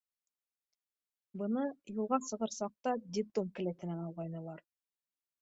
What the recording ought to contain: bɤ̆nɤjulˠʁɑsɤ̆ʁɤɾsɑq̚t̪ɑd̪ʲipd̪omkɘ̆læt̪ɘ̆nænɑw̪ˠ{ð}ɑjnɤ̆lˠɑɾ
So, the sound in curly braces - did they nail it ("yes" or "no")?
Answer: no